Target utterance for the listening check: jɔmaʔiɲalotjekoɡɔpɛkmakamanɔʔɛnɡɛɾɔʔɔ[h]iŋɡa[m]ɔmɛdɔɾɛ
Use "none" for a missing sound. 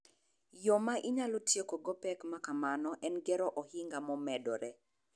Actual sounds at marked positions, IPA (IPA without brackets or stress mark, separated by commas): h, m